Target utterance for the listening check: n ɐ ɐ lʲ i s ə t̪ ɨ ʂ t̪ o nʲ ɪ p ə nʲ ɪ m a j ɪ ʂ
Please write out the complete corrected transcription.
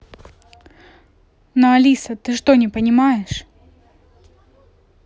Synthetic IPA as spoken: n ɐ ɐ lʲ i s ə t̪ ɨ ʂ t̪ o nʲ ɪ p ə nʲ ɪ m a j ɪ ʂ